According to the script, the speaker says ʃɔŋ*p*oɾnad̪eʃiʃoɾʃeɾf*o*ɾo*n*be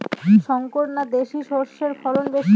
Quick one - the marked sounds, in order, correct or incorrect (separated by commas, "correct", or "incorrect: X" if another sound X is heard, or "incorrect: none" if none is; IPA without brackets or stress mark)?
incorrect: k, incorrect: ɔ, correct